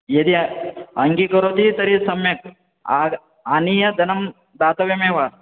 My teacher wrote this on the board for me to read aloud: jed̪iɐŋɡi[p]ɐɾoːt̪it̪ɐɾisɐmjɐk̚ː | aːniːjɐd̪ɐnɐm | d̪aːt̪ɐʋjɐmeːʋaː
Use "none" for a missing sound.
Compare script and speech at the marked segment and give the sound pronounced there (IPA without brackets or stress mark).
k